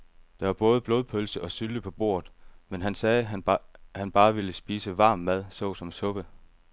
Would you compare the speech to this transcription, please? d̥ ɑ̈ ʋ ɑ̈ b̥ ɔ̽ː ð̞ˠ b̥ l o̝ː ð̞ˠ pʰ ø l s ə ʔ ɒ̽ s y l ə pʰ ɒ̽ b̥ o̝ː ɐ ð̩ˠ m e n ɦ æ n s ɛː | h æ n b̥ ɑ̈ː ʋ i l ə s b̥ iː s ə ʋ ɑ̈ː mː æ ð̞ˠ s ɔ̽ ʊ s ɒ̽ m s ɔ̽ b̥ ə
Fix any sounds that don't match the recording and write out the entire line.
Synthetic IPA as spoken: d̥ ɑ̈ ʋ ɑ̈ b̥ ɔ̽ː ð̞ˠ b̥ l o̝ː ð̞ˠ pʰ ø l s ə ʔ ɒ̽ s y l ə pʰ ɒ̽ b̥ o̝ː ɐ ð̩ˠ m e n ɦ æ n s ɛː | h æ n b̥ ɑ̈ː ʋ i l ə s b̥ iː s ə ʋ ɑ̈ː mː æ ð̞ˠ s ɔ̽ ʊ s ɒ̽ m s ɔ̽ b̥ ə

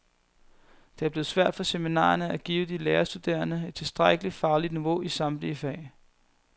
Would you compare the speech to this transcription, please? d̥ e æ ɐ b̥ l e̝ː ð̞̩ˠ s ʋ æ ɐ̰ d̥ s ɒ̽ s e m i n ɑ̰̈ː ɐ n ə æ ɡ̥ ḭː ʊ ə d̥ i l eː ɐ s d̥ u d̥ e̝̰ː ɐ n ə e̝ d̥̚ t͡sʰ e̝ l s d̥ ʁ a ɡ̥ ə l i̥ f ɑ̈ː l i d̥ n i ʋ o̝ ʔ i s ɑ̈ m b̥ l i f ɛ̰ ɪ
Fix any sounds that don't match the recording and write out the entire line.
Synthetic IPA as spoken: d̥ e æ ɐ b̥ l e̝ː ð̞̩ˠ s ʋ æ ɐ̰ d̥ f ɒ̽ s e m i n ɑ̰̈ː ɐ n ə æ ɡ̥ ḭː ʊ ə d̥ i l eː ɐ s d̥ u d̥ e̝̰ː ɐ n ə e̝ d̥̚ t͡sʰ e̝ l s d̥ ʁ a ɡ̥ ə l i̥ f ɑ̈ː l i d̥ n i ʋ o̝ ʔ i s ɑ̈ m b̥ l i f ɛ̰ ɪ

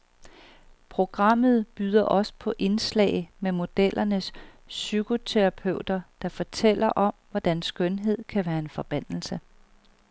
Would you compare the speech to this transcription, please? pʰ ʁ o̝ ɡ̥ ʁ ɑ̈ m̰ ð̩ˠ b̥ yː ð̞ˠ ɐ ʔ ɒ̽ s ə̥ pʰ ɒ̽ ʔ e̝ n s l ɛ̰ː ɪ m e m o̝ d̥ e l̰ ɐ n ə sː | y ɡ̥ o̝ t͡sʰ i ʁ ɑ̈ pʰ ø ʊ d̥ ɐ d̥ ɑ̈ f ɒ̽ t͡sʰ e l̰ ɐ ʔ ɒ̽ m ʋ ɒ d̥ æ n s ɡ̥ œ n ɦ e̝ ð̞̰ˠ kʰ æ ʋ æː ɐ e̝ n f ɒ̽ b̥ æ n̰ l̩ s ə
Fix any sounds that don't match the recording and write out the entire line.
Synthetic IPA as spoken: pʰ ʁ o̝ ɡ̥ ʁ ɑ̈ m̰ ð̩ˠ b̥ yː ð̞ˠ ɐ ʔ ɒ̽ s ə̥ pʰ ɒ̽ ʔ e̝ n s l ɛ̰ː ɪ m e m o̝ d̥ e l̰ ɐ n ə sː | y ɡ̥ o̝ t͡sʰ e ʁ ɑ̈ pʰ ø ʊ d̥ ɐ d̥ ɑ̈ f ɒ̽ t͡sʰ e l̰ ɐ ʔ ɒ̽ m ʋ ɒ d̥ æ n s ɡ̥ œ n ɦ e̝ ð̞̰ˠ kʰ æ ʋ æː ɐ e̝ n f ɒ̽ b̥ æ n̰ l̩ s ə

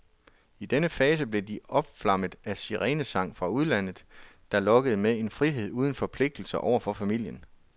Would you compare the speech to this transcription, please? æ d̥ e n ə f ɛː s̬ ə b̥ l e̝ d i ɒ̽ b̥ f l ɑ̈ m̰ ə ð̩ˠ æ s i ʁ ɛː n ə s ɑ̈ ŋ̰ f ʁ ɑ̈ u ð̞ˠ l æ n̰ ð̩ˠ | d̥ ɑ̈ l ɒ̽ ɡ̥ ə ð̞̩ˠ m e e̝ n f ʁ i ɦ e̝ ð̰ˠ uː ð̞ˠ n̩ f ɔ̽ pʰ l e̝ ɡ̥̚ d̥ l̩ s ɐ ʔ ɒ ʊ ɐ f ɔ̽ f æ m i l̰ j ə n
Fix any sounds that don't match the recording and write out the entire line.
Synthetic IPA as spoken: i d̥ e n ə f ɛː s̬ ə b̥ l e̝ d i ɒ̽ b̥ f l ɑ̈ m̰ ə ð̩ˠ æ s i ʁ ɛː n ə s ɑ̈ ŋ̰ f ʁ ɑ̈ u ð̞ˠ l æ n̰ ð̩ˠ | d̥ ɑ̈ l ɒ̽ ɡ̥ ə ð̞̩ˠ m e e̝ n f ʁ i ɦ e̝ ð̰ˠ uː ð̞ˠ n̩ f ɒ̽ pʰ l e̝ ɡ̥̚ d̥ l̩ s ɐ ʔ ɒ ʊ ɐ f ɒ̽ f æ m i l̰ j ə n

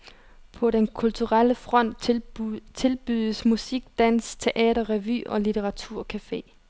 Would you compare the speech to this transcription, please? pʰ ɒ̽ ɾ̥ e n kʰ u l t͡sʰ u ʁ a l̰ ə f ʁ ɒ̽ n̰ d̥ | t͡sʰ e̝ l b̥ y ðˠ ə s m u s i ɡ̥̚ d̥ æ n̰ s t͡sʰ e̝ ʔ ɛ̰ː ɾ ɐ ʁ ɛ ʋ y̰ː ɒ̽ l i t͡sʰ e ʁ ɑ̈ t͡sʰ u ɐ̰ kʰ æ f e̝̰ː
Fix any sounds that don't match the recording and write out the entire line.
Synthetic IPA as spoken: pʰ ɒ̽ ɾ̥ e n kʰ u l t͡sʰ u ʁ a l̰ ə f ʁ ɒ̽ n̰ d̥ | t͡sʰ e̝ l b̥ y ðˠ ə s m u s i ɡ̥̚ d̥ æ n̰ s t͡sʰ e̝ ʔ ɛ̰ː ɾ ɐ ʁ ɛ ʋ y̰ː ɒ̽ l i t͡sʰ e ʁ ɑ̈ t͡sʰ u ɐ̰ kʰ æ f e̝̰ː

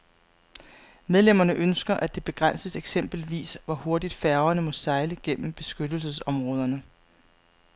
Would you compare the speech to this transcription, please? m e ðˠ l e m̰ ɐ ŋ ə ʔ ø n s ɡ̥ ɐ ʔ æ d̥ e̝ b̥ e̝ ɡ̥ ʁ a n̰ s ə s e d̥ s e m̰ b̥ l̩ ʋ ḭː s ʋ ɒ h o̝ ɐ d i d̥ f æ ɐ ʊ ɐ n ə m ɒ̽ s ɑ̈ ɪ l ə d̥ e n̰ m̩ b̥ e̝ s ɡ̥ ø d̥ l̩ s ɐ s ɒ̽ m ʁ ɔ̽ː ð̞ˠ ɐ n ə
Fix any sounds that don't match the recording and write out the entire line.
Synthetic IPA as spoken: m e ðˠ l e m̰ ɐ n ə ʔ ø n s ɡ̥ ɐ ʔ æ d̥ e̝ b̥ e̝ ɡ̥ ʁ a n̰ s ə s e ɡ̥ s e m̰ b̥ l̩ ʋ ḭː s ʋ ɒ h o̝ ɐ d i d̥ f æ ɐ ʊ ɐ n ə m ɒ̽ s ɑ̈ ɪ l ə ɡ̥ e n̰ m̩ b̥ e̝ s ɡ̥ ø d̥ l̩ s ə s ɒ̽ m ʁ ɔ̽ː ð̞ˠ ɐ n ə

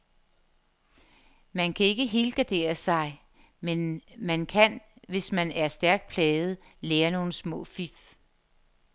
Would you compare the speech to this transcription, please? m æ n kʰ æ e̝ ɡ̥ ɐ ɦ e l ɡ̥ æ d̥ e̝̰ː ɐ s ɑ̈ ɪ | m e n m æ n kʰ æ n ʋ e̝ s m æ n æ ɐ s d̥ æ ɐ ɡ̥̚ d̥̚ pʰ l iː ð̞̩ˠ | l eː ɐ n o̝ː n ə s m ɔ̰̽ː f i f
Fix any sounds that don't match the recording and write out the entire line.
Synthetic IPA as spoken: m æ n kʰ æ e̝ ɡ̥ ə ɦ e l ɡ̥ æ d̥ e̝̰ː ɐ s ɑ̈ ɪ | m e n m æ n kʰ æ n ʋ e̝ s m æ n æ ɐ s d̥ æ ɐ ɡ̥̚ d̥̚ pʰ l ɛː ð̞̩ˠ | l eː ɐ n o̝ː n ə s m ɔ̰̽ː f i f

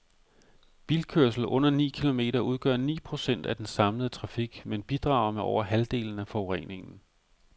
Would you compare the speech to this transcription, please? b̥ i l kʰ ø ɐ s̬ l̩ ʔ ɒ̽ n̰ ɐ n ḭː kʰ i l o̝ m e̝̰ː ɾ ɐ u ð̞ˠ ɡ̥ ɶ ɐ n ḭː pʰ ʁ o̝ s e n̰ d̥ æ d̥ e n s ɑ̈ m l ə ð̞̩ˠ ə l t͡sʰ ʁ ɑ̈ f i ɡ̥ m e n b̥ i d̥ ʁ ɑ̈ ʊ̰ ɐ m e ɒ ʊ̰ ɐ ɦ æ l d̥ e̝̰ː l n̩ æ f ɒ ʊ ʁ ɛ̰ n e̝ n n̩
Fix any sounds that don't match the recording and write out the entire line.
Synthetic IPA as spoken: b̥ i l kʰ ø ɐ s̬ l̩ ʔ ɔ̽ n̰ ɐ n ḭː kʰ i l o̝ m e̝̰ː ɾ ɐ u ð̞ˠ ɡ̥ ɶ ɐ n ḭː pʰ ʁ o̝ s e n̰ d̥ æ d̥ e n s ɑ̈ m l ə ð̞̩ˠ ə t͡sʰ ʁ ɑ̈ f i ɡ̥ m e n b̥ i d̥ ʁ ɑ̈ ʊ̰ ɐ m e ɒ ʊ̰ ɐ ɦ æ l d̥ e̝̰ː l n̩ æ f ɒ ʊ ʁ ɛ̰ n e̝ ŋ n̩

